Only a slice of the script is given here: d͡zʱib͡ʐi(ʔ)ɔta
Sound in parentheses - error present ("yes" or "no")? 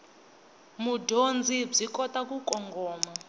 yes